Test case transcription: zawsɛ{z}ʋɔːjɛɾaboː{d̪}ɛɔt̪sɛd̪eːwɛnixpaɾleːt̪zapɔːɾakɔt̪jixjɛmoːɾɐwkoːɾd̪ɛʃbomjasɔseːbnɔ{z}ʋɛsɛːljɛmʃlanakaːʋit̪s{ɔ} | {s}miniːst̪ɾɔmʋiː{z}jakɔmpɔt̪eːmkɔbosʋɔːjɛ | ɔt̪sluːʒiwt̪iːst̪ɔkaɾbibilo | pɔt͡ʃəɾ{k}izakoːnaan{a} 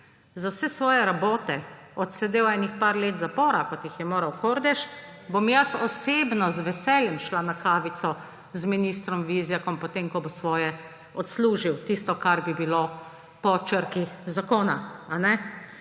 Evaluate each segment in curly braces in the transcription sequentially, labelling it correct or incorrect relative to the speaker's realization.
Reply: incorrect: s, incorrect: t̪, correct, correct, incorrect: z, correct, correct, incorrect: ɛ

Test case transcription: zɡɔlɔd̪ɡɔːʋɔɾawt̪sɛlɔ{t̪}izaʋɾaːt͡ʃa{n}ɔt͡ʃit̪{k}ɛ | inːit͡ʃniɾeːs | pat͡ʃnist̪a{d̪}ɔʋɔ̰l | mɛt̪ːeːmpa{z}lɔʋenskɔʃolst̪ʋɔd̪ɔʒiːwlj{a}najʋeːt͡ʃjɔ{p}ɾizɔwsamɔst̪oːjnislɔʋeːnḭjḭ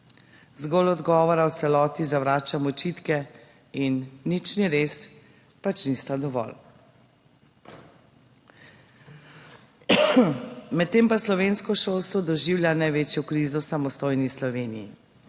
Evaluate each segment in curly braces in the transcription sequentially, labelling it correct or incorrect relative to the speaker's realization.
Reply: correct, incorrect: m, correct, correct, incorrect: s, correct, incorrect: k

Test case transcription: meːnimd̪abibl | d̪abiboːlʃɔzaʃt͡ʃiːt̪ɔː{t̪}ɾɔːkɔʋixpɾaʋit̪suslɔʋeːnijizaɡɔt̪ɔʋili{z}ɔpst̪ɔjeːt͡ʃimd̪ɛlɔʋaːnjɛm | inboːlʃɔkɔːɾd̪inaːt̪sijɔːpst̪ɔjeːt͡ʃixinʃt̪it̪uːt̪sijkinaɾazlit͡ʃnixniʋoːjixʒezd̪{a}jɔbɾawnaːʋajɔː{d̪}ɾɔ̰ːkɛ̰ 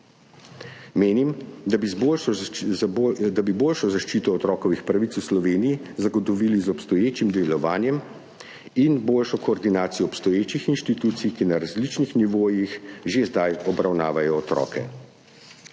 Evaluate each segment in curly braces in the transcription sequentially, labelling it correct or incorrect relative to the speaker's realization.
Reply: correct, correct, correct, incorrect: t̪

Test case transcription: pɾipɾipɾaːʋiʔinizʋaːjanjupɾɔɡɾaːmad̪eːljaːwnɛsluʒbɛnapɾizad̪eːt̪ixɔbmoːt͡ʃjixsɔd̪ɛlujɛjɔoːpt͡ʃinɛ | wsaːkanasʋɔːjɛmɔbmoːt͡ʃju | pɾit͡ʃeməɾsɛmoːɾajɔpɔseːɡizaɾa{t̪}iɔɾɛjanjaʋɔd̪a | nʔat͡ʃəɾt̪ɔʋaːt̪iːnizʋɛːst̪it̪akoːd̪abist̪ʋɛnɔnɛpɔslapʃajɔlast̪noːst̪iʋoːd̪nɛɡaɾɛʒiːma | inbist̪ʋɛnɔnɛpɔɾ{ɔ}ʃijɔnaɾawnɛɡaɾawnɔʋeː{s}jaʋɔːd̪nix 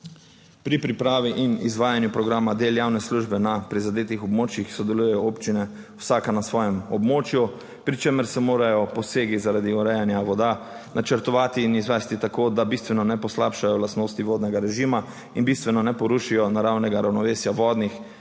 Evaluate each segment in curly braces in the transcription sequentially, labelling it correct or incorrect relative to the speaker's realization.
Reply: incorrect: d̪, incorrect: u, correct

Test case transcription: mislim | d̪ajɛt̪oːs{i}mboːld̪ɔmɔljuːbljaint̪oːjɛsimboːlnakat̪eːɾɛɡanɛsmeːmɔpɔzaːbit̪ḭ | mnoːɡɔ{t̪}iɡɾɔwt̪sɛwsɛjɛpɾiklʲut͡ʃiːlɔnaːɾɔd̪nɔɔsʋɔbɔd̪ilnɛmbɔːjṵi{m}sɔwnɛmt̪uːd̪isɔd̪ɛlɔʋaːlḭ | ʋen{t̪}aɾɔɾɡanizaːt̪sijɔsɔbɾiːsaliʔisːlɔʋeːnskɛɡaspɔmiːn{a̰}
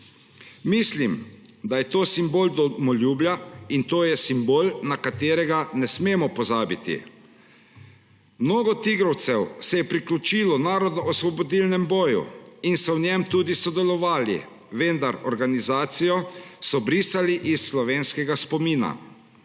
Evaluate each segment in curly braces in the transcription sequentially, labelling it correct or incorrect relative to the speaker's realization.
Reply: correct, correct, incorrect: n, incorrect: d̪, correct

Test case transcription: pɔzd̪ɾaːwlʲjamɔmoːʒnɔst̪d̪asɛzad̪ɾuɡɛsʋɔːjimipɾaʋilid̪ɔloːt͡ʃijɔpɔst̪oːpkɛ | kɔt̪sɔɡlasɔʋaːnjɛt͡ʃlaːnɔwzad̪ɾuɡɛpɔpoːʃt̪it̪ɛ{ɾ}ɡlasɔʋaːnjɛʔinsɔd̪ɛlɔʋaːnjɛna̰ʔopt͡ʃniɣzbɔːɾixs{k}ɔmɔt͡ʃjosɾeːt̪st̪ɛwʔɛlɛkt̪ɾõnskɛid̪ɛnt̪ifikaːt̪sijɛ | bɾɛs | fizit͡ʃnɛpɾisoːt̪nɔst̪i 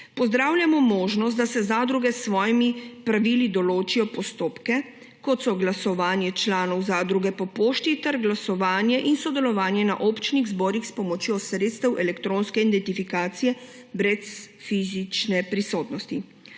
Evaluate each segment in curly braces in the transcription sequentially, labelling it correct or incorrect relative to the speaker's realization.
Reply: correct, incorrect: p

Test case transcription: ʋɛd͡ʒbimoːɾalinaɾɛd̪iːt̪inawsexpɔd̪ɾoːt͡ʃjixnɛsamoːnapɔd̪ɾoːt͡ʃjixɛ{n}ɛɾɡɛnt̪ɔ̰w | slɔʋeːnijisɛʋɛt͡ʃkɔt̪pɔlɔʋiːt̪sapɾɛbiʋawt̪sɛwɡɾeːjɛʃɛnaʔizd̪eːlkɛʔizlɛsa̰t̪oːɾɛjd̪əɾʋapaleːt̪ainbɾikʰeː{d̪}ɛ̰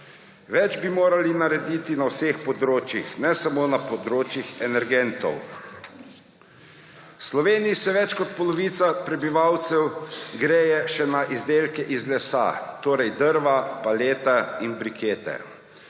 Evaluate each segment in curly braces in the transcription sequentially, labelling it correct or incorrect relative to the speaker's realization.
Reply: correct, incorrect: t̪

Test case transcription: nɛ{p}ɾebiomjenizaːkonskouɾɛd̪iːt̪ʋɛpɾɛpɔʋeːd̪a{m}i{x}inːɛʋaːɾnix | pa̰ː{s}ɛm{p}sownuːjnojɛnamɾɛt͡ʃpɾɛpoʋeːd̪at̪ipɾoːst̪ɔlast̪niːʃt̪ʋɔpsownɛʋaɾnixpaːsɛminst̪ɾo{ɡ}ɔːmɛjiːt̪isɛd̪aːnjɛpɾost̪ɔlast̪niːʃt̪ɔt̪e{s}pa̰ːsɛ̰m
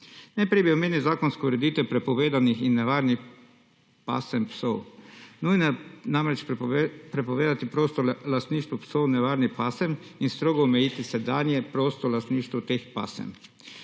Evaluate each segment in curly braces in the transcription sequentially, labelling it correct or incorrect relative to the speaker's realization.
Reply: correct, incorrect: n, correct, correct, correct, correct, incorrect: x

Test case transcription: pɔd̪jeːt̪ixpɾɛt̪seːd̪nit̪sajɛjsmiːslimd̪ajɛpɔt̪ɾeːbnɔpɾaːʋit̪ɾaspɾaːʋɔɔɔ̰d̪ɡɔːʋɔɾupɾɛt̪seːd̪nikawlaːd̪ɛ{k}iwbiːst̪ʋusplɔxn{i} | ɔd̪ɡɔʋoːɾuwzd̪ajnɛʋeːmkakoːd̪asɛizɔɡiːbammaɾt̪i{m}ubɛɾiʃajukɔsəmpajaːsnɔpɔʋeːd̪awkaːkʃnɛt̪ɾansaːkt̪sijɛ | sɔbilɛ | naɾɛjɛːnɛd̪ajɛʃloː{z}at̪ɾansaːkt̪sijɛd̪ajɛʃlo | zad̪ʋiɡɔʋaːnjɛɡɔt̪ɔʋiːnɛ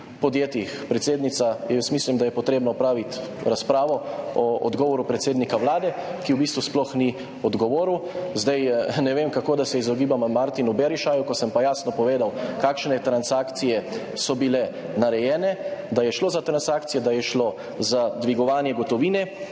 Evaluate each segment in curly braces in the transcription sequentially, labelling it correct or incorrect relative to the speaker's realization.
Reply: correct, correct, incorrect: n, correct

